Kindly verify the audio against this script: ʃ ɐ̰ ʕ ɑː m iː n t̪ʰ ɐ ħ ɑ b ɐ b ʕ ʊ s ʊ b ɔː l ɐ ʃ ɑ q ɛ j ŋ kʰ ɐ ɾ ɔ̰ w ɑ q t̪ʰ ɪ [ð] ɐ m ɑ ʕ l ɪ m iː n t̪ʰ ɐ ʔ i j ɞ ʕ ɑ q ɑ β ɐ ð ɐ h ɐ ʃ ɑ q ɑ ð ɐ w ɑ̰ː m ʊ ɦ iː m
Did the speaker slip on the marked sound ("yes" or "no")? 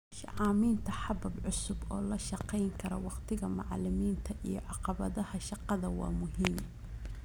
yes